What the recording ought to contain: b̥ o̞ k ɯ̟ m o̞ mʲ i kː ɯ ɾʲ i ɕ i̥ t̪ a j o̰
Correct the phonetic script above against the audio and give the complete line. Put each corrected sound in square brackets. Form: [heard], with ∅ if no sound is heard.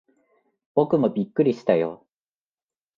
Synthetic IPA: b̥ o̞ k ɯ̟ m o̞ [bʲ] i kː ɯ ɾʲ i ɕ i̥ t̪ a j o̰